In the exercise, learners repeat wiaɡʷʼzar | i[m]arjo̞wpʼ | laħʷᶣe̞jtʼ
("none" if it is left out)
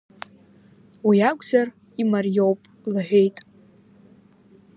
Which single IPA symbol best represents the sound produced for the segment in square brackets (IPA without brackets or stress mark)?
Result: m